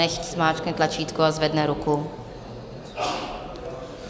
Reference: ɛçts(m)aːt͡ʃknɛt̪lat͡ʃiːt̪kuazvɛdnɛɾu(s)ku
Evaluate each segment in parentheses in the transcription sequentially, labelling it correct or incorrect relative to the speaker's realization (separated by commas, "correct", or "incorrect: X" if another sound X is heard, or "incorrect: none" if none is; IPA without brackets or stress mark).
correct, incorrect: none